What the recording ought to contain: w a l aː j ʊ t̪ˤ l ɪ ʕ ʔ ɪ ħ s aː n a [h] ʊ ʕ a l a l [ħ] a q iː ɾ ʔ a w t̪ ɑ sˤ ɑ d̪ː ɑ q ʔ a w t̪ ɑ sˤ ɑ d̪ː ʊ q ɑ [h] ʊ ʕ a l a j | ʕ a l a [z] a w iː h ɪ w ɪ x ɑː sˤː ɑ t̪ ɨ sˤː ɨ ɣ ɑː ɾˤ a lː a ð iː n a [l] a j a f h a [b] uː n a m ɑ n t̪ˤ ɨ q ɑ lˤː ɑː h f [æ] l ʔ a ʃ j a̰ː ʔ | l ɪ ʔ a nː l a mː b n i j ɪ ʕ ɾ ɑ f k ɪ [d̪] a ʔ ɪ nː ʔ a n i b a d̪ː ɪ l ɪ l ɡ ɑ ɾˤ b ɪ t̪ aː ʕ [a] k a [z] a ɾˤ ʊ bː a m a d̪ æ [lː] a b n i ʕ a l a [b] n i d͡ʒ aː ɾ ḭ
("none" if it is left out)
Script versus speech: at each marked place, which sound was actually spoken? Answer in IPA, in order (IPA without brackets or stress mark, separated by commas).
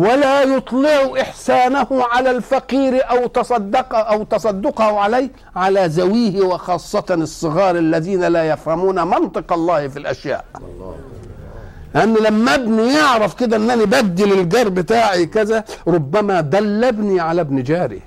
h, f, h, z, l, m, i, d̪, i, z, lː, b